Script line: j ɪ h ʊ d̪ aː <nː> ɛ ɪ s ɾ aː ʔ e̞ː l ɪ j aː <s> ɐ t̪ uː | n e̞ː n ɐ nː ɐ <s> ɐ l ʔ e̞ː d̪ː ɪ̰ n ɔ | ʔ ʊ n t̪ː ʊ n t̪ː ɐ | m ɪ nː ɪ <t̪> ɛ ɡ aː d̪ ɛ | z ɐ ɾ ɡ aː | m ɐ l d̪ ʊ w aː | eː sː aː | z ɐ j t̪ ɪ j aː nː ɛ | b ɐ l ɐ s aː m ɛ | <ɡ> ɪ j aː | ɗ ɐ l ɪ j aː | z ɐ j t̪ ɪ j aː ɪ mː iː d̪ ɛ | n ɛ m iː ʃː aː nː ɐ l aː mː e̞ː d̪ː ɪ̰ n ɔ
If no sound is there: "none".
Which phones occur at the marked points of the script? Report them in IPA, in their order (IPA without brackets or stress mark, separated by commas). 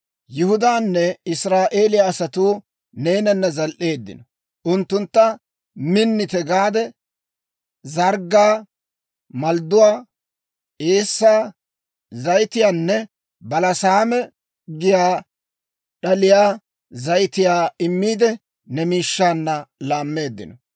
nː, s, z, t̪, ɡ